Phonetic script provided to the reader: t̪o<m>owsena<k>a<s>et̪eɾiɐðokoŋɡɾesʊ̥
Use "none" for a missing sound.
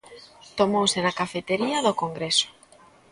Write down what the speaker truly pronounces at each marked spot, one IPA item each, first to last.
m, k, f

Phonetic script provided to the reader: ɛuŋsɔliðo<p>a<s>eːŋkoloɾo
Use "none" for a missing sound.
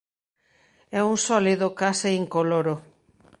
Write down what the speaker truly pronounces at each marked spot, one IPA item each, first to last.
k, s

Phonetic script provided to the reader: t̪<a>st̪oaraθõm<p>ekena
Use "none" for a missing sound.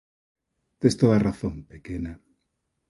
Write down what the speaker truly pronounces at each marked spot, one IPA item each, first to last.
e, p

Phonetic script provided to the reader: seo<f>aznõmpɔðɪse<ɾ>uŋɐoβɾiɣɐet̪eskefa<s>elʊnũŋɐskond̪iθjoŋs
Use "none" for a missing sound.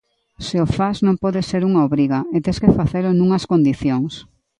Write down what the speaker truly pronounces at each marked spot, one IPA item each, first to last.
f, ɾ, θ

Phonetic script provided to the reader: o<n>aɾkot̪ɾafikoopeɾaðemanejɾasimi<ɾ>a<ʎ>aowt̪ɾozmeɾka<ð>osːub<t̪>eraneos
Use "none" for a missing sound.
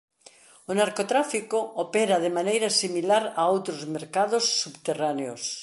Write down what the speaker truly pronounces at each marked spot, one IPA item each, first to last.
n, l, ɾ, ð, t̪

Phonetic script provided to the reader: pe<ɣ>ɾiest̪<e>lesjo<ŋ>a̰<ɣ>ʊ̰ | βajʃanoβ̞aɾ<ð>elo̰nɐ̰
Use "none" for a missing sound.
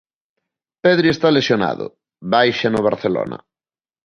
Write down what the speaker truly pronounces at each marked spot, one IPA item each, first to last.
ð, a, n, ð, θ

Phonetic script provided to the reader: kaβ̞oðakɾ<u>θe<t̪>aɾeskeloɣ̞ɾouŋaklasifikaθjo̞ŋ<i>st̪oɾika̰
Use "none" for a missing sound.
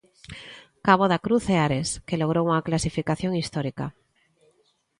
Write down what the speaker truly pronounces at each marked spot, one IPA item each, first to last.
u, none, i

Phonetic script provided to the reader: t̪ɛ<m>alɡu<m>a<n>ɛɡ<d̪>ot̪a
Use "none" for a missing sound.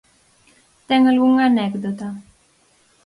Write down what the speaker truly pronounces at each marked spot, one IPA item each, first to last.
ŋ, ŋ, n, d̪

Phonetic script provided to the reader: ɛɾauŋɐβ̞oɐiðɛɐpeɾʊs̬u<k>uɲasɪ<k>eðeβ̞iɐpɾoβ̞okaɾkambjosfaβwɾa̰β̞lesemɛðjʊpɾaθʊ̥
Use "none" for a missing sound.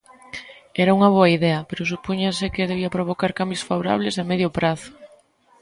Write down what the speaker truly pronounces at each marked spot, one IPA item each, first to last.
p, k

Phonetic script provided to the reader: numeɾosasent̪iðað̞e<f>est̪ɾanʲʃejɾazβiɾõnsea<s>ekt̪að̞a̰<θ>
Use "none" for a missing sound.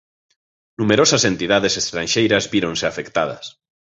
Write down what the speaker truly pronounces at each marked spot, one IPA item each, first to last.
s, f, s

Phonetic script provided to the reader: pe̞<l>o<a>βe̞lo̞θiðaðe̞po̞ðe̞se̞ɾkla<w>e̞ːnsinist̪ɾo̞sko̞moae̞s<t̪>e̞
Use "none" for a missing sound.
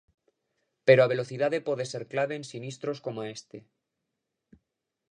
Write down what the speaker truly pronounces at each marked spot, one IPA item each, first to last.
ɾ, a, β, t̪

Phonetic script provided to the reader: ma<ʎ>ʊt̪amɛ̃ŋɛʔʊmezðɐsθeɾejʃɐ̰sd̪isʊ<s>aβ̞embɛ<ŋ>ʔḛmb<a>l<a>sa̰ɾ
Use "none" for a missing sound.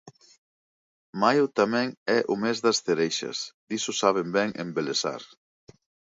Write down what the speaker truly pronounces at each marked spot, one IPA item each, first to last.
j, s, ŋ, e, e

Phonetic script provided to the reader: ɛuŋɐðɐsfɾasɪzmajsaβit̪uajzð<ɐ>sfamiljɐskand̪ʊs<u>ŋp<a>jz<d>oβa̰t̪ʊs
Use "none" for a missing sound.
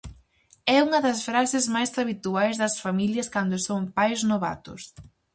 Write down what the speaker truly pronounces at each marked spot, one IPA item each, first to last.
ɐ, o, a, n

